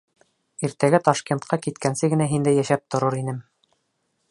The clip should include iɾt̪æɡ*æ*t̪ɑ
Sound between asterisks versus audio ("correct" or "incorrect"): correct